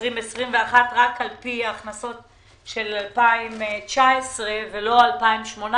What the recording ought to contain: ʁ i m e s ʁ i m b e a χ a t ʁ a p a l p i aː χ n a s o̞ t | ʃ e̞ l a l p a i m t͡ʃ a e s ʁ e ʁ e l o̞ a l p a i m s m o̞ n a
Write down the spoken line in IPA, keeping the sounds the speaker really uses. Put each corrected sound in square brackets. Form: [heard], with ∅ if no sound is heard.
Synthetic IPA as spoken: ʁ i m e s ʁ i m [v] e a χ a t ʁ a [k] a l p i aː χ n a s o̞ t | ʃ e̞ l a l p a i m t͡ʃ a e s ʁ e [v] e l o̞ a l p a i m [ʃ] m o̞ n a